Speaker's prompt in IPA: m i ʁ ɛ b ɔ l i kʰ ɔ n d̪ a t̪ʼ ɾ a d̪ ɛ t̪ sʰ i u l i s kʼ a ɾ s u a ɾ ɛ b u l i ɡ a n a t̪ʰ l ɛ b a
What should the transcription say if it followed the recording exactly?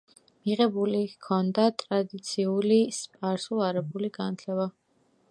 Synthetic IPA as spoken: m i ʁ ɛ b u l i kʰ ɔ n d̪ a t̪ʼ ɾ a d̪ i t̪ sʰ i u l i s pʼ a ɾ s u a ɾ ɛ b u l i ɡ a n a t̪ʰ l ɛ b a